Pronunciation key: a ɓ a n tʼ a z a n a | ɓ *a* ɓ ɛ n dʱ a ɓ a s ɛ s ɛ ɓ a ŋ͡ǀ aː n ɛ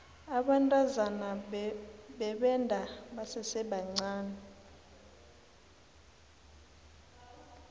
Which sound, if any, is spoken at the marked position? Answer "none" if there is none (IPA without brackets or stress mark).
ɛ